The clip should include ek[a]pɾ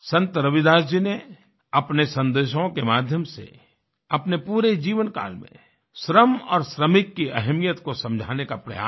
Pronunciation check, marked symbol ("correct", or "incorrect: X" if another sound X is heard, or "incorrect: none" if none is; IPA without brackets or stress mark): correct